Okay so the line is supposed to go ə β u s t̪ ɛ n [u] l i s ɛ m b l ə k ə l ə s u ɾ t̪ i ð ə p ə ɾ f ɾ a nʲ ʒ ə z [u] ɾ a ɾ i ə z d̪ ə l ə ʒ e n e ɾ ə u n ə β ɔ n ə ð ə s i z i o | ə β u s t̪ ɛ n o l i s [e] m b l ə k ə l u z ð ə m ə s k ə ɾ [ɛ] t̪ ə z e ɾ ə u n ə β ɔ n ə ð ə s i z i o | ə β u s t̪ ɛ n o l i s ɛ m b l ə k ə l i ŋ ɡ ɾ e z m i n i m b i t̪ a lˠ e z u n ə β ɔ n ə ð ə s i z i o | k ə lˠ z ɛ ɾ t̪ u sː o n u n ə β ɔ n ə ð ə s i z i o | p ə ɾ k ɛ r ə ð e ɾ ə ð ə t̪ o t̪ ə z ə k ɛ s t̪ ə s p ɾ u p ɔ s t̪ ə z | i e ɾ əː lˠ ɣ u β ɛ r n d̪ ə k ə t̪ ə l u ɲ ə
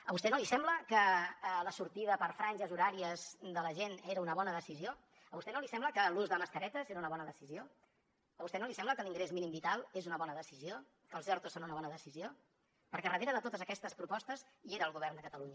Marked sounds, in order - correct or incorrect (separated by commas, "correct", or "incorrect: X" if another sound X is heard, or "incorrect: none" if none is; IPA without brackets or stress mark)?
incorrect: o, correct, incorrect: ɛ, correct